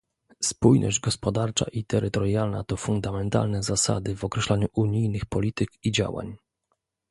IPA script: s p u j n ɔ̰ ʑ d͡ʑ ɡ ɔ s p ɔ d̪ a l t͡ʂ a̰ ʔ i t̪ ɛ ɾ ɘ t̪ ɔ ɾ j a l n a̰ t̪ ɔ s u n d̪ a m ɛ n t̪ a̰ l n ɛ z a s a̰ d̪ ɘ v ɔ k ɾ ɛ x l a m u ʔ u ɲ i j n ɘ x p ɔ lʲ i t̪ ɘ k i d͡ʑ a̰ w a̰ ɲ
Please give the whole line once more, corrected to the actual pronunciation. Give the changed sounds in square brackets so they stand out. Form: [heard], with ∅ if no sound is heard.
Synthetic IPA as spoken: s p u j n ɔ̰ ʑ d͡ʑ ɡ ɔ s p ɔ d̪ a [ɾ] t͡ʂ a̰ ʔ i t̪ ɛ ɾ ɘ t̪ ɔ ɾ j a l n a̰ t̪ ɔ [f] u n d̪ a m ɛ n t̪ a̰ l n ɛ z a s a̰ d̪ ɘ v ɔ k ɾ ɛ [ɕ] l a [ɲ] u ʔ u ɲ i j n ɘ x p ɔ lʲ i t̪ ɘ k i d͡ʑ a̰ w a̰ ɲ